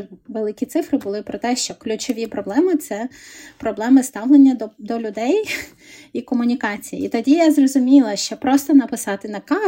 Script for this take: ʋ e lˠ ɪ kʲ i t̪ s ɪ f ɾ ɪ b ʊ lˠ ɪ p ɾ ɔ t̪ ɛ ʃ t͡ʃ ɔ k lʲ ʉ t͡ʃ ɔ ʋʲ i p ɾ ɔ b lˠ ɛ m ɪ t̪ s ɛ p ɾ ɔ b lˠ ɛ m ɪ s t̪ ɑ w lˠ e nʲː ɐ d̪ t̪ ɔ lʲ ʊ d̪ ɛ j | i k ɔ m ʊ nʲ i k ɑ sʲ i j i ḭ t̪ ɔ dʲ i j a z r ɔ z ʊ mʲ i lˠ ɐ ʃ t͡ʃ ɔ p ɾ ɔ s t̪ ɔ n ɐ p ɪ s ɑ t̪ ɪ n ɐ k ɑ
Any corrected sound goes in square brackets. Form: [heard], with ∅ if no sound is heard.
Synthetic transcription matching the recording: ʋ e lˠ ɪ kʲ i t̪ s ɪ f ɾ ɪ b ʊ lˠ ɪ p ɾ ɔ t̪ ɛ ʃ t͡ʃ ɔ k lʲ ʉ t͡ʃ ɔ ʋʲ i p ɾ ɔ b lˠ ɛ m ɪ t̪ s ɛ p ɾ ɔ b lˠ ɛ m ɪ s t̪ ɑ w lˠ e nʲː ɐ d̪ [d̪] ɔ lʲ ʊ d̪ ɛ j | i k ɔ m ʊ nʲ i k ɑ [t͡sʲ] i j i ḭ t̪ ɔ dʲ i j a z r ɔ z ʊ mʲ i lˠ ɐ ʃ t͡ʃ ɔ p ɾ ɔ s t̪ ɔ n ɐ p ɪ s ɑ t̪ ɪ n ɐ k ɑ